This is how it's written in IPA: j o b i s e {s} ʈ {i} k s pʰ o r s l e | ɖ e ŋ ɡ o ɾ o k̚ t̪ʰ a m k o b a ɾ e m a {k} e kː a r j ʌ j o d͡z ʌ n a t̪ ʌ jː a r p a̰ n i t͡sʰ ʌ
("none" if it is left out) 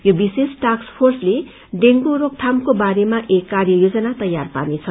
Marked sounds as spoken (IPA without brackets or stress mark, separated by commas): s, a, ʔ